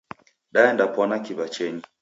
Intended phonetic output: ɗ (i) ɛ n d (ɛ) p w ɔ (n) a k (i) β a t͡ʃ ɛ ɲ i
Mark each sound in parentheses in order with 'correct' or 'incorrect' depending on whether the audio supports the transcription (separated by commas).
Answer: incorrect, incorrect, correct, correct